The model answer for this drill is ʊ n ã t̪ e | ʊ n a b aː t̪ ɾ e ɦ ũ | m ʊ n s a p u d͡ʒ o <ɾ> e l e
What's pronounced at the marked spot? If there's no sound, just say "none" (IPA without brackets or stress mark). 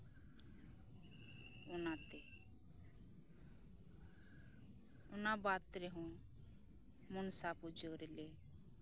ɾ